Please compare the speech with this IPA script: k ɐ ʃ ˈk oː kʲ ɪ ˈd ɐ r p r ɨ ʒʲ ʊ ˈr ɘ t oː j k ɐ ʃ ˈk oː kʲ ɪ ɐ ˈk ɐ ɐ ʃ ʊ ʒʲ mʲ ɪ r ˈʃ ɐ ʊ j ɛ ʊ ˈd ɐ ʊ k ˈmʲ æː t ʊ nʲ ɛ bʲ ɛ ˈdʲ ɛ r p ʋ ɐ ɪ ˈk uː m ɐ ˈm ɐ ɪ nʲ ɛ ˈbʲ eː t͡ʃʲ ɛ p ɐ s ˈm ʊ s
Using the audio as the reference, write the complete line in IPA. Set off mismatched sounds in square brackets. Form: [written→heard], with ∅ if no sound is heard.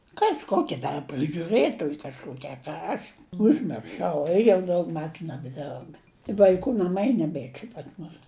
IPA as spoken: k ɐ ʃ ˈk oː kʲ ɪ ˈd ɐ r p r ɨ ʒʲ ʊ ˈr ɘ t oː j k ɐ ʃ ˈk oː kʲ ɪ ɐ ˈk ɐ ɐ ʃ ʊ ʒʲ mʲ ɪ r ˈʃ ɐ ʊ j ɛ ʊ ˈd ɐ ʊ k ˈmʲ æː t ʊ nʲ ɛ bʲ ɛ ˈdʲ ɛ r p ʋ ɐ ɪ ˈk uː [m→n] ɐ ˈm ɐ ɪ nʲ ɛ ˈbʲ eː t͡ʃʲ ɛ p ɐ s ˈm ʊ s